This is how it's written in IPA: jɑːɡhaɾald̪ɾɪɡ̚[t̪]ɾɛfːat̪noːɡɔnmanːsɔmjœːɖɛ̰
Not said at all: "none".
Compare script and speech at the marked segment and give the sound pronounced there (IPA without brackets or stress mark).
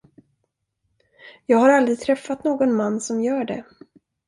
t̪ʰ